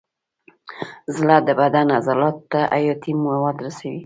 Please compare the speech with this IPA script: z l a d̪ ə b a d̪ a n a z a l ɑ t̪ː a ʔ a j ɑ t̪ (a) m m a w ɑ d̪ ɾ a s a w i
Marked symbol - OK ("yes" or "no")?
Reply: no